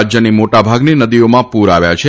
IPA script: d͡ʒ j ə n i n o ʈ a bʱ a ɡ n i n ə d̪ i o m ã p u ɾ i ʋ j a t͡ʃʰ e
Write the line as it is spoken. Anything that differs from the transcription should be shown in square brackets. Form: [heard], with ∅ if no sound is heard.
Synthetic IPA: d͡ʒ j ə n i [m] o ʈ a bʱ a ɡ n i n ə d̪ i o m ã p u ɾ [a] ʋ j a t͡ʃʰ e